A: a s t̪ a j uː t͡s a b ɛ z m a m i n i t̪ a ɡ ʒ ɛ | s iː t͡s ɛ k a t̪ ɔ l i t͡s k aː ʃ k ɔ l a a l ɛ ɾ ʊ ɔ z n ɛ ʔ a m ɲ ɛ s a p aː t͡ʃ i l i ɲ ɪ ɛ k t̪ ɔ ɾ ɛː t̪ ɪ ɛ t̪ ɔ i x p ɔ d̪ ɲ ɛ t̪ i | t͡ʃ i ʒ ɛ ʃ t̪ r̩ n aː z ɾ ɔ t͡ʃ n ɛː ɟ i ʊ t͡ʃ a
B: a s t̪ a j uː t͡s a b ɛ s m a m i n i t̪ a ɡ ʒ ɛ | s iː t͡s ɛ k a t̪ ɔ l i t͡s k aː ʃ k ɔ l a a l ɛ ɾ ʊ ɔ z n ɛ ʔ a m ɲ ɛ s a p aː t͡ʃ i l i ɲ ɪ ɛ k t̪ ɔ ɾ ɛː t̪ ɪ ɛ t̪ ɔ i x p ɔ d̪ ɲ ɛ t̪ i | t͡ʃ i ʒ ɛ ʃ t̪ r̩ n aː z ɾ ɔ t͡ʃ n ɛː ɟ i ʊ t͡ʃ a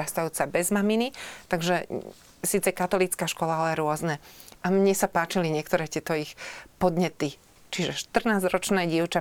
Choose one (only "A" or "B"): A